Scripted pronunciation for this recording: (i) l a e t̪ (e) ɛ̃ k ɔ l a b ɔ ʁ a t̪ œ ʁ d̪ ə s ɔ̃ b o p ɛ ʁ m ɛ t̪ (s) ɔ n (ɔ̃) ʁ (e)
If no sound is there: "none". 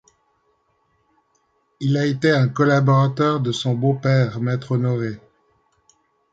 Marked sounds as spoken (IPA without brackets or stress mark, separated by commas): i, e, χ, ɔ, e